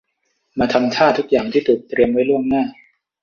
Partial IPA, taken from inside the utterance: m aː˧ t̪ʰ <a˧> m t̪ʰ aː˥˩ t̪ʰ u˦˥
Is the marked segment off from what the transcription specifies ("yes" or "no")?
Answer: no